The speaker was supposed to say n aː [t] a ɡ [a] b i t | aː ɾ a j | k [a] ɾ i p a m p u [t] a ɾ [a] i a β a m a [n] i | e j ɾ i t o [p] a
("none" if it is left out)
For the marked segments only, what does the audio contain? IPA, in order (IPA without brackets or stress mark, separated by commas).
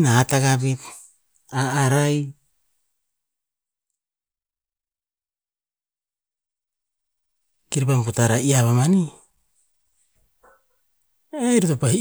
t, a, i, t, a, n, p